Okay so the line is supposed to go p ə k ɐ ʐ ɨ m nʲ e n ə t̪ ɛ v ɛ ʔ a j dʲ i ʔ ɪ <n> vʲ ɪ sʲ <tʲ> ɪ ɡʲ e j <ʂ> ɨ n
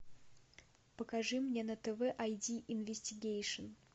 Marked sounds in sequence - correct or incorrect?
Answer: correct, correct, correct

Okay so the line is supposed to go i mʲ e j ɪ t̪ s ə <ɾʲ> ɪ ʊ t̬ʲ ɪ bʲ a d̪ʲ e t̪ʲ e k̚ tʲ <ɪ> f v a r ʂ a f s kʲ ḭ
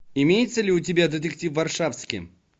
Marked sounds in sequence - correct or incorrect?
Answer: incorrect: lʲ, incorrect: i

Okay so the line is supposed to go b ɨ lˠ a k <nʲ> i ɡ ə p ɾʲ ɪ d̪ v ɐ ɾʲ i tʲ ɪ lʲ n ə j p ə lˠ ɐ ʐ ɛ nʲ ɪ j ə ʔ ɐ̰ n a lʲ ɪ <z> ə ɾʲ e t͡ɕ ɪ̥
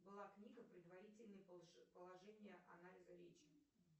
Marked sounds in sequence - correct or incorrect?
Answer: correct, correct

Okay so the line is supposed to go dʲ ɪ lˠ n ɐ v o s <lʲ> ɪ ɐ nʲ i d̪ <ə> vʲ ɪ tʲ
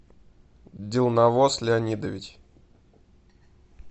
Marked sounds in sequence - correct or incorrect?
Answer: correct, correct

